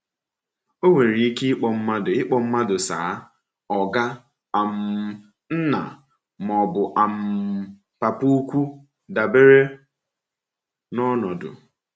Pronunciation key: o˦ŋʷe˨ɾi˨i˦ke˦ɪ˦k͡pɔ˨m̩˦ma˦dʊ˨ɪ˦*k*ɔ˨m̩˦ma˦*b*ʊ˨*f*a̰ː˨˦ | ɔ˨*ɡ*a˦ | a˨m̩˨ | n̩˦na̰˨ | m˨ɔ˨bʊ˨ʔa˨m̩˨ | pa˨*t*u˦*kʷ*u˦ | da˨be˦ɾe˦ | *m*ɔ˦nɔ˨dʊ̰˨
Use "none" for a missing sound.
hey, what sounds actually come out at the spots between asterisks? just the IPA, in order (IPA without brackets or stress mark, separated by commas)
k͡p, d, s, ɡ, p, kʷ, n